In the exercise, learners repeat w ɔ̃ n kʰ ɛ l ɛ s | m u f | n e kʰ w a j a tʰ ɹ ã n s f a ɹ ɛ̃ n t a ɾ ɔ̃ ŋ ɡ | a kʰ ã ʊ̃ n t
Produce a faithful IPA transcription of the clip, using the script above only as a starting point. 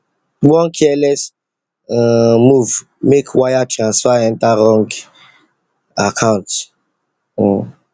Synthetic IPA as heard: w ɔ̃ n kʰ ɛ l ɛ s | m u v | m e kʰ w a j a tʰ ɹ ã n s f a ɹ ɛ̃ n t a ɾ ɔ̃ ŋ ɡ | a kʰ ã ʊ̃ n t